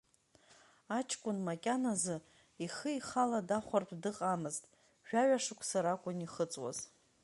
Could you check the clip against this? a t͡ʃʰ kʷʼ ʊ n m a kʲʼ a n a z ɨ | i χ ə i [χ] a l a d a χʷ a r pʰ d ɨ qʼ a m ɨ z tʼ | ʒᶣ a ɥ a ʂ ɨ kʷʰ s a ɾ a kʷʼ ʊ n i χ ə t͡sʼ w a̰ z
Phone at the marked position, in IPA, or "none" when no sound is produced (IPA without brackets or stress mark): χ